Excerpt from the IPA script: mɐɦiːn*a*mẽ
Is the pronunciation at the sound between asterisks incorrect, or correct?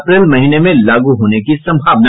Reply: incorrect